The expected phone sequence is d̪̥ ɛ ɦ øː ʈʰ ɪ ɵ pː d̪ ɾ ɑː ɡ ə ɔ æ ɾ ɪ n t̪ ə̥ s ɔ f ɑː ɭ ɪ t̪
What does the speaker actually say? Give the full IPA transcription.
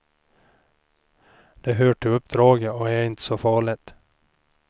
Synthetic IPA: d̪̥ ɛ ɦ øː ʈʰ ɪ ɵ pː d̪ ɾ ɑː ɡ ə ɔ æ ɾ ɪ n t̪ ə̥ s ɔ f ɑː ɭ ɪ t̪

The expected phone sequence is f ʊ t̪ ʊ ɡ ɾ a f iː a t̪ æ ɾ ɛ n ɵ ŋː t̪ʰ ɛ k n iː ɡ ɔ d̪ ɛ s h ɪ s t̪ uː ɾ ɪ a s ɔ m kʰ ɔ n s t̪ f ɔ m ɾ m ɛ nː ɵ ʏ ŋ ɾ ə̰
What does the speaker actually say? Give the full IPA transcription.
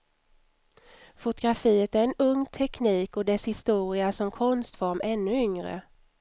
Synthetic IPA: f ʊ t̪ ʊ ɡ ɾ a f iː ə t̪ æ ɾ ɛ n ɵ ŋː t̪ʰ ɛ k n iː k ɔ d̪ ɛ s h ɪ s t̪ uː ɾ ɪ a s ɔ m kʰ ɔ n s t̪ f ɔ ɾ m ɛ nː ɵ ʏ ŋ ɾ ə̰

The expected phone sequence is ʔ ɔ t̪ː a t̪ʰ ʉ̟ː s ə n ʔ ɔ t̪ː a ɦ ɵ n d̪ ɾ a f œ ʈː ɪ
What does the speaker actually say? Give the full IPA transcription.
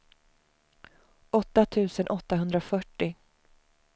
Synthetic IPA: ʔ ɔ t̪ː a t̪ʰ ʉ̟ː s ə n ʔ ɔ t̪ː a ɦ ɵ n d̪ ɾ a f œ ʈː ɪ

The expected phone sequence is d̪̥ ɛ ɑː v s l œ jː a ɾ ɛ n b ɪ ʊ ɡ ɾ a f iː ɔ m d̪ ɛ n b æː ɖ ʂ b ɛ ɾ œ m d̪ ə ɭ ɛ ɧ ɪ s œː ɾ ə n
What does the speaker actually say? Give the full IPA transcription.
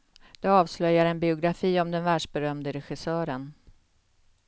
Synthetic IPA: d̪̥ ɛ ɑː v s l œ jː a ɾ ɛ n b ɪ ʊ ɡ ɾ a f iː ɔ m d̪ ɛ n v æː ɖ ʂ b ɛ ɾ œ m d̪ ə ɾ ɛ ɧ ɪ s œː ɾ ə n

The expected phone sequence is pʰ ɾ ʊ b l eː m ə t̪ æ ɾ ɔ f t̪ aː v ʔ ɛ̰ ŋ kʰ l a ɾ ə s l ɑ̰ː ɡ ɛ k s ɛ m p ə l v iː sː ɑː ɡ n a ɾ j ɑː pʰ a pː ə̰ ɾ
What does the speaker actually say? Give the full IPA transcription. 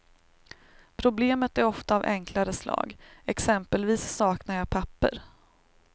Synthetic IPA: pʰ ɾ ʊ b l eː m ə t̪ æ ɾ ɔ f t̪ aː v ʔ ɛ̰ ŋ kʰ l a ɾ ə s l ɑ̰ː ɡ ɛ k s ɛ m p ə l v iː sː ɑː k n a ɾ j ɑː pʰ a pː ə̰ ɾ

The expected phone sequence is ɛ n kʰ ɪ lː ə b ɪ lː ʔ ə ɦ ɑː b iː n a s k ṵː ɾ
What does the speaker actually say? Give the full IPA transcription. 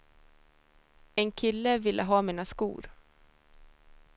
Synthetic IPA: ɛ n kʰ ɪ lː ə v ɪ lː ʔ ə ɦ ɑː m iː n a s k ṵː ɾ

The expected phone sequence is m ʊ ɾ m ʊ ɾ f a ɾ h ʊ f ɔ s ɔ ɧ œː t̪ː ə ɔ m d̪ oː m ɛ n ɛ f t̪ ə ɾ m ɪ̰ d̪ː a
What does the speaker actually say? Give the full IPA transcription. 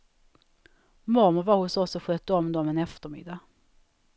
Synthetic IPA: m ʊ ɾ m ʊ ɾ v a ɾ h ʊ s ɔ s ɔ ɧ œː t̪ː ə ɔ m d̪ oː m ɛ n ɛ f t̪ ə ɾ m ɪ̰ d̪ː a

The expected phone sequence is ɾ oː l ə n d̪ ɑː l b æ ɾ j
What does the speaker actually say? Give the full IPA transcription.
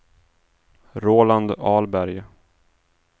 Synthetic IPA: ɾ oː l a n d̪ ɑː l b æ ɾ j

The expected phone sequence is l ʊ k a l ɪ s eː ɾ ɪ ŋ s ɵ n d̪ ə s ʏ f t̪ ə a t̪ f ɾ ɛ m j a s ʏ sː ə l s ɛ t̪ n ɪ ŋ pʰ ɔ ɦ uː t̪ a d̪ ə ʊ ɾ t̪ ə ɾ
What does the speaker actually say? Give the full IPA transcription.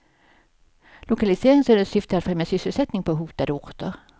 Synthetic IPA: l ʊ k a l ɪ s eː ɾ ɪ ŋ s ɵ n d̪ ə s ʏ f t̪ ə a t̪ f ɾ ɛ m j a s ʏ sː ə l s ɛ t̪ n ɪ ŋ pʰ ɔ ɦ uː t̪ a d̪ ə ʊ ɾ t̪ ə ɾ

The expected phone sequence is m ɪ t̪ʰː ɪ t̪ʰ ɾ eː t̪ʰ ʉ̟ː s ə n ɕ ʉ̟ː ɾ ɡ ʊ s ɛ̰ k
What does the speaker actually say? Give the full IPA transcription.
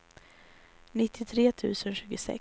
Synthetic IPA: n ɪ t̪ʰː ɪ t̪ʰ ɾ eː t̪ʰ ʉ̟ː s ə n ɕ ʉ̟ː ɡ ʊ s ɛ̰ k

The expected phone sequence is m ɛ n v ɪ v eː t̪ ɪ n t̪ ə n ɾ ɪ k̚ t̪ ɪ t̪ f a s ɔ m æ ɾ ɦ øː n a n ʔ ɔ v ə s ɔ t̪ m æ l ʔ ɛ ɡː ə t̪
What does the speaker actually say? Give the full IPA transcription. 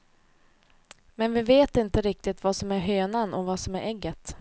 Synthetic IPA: m ɛ n v ɪ v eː t̪ ɪ n t̪ ə ɾ ɪ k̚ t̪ ɪ t̪ v a s ɔ m æ ɾ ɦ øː n a n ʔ ɔ v a s ɔ m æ ɾ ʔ ɛ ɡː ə t̪

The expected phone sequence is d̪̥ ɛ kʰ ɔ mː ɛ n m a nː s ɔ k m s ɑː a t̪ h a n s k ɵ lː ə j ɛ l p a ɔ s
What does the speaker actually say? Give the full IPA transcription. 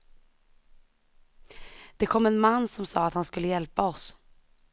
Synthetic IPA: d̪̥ ɛ kʰ ɔ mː ɛ n m a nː s ɔ m s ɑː a t̪ h a n s k ɵ lː ə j ɛ l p a ɔ s

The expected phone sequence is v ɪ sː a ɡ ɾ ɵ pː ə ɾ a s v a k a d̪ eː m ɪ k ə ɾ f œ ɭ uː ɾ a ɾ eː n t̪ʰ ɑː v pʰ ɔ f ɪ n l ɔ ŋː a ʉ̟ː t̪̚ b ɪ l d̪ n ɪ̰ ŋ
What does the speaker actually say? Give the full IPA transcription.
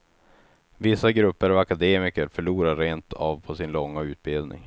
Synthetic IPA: v ɪ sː a ɡ ɾ ɵ pː ə ɾ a v a k a d̪ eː m ɪ k ə ɾ f œ ɭ uː ɾ a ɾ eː n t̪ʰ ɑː v pʰ ɔ s ɪ n l ɔ ŋː a ʉ̟ː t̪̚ b ɪ l d̪ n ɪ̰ ŋ

